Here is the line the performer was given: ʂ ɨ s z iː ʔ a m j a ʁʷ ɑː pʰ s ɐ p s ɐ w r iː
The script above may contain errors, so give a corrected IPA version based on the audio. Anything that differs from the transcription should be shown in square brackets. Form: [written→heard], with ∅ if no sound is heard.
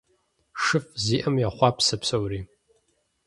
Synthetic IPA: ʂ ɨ [s→f] z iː ʔ [a→ɐ] m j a [ʁʷ→χʷ] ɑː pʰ s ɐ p s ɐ w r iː